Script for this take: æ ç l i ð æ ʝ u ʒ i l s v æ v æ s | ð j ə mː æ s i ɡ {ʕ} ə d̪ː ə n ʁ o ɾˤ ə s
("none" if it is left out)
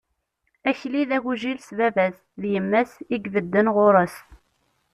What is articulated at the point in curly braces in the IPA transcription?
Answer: v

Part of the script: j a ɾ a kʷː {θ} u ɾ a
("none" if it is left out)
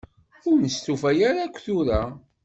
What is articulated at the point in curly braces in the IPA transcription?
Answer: θ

